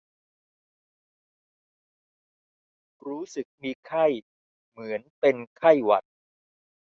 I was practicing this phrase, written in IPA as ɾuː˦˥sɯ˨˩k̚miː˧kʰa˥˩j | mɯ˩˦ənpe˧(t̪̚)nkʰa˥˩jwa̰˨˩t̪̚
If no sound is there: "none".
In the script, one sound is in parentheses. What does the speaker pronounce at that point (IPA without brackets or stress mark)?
none